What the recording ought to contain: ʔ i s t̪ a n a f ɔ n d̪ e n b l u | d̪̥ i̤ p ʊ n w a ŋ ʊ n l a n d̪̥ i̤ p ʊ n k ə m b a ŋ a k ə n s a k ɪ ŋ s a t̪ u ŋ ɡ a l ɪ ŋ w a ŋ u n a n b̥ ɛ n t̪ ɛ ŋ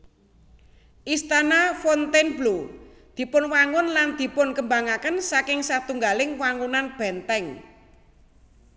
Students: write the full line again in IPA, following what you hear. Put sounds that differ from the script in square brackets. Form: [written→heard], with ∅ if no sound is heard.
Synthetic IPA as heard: ʔ i s t̪ a n a f ɔ n [d̪→t̪] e n b l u | d̪̥ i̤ p ʊ n w a ŋ ʊ n l a n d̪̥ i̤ p ʊ n k ə m b a ŋ a k ə n s a k ɪ ŋ s a t̪ u ŋ ɡ a l ɪ ŋ w a ŋ u n a n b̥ ɛ n t̪ ɛ ŋ